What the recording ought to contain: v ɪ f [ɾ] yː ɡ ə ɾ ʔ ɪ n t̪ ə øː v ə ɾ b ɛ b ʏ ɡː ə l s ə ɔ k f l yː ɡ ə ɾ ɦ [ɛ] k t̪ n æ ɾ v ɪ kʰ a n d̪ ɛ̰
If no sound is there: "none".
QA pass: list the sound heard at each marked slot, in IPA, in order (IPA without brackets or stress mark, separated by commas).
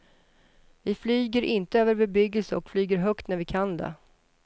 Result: l, œ